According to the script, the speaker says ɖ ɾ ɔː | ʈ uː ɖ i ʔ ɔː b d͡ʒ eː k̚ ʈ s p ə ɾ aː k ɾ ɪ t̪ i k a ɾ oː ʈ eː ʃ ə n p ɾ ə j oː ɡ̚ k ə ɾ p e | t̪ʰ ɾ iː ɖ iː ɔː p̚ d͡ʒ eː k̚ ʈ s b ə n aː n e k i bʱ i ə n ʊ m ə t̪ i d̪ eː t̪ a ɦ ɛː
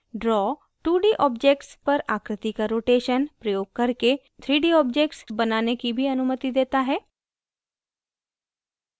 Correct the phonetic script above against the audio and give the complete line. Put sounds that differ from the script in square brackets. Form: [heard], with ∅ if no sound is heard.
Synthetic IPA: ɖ ɾ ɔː | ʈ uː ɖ i ʔ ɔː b d͡ʒ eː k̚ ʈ s p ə ɾ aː k ɾ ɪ t̪ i k a ɾ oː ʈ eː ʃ ə n p ɾ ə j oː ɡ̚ k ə ɾ [k] e | t̪ʰ ɾ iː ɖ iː ɔː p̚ d͡ʒ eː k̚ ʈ s b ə n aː n e k i bʱ i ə n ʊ m ə t̪ i d̪ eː t̪ a ɦ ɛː